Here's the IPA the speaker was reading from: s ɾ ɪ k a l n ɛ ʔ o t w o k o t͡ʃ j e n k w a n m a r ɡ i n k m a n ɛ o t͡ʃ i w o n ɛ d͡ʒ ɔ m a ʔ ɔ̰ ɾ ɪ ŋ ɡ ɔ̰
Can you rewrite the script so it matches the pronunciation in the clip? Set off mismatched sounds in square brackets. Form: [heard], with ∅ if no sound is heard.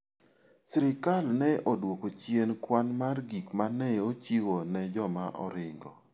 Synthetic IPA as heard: s ɾ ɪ k a l n ɛ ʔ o [d] w o k o t͡ʃ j e n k w a n m a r ɡ i [∅] k m a n ɛ o t͡ʃ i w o n ɛ d͡ʒ ɔ m a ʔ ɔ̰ ɾ ɪ ŋ ɡ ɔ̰